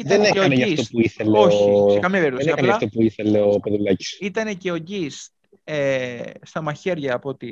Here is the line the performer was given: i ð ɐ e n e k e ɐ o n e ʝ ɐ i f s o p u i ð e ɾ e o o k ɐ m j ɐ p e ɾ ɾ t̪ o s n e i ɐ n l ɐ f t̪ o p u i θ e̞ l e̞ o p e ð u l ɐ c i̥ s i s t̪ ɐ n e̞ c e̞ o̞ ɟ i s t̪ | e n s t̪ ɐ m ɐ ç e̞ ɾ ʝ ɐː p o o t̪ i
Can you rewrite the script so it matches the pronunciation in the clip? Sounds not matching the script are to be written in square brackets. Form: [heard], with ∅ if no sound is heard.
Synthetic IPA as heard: i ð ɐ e n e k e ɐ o n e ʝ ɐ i f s o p u i [θ] e [l] e o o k ɐ m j ɐ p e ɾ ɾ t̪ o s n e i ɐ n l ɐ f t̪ o p u i θ e̞ l e̞ o p e ð u l ɐ c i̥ s i [∅] t̪ ɐ n e̞ c e̞ o̞ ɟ i s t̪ | e [∅] s t̪ ɐ m ɐ ç e̞ ɾ ʝ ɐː p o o t̪ i